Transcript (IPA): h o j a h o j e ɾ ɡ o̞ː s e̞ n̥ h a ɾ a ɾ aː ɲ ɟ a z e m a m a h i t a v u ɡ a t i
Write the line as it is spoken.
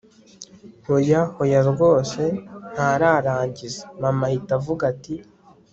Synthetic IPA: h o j a h o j a ɾ ɡ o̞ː s e̞ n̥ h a ɾ a ɾ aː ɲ ɟ i z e m a m a h i t a v u ɡ a t i